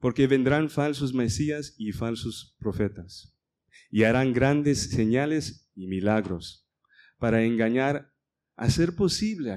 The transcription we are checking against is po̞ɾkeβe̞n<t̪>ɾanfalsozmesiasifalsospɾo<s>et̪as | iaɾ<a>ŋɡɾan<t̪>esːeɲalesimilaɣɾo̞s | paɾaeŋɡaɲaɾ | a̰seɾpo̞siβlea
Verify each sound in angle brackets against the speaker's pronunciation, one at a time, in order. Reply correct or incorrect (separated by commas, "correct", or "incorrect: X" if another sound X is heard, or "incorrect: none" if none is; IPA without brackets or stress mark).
incorrect: d̪, incorrect: f, correct, incorrect: d̪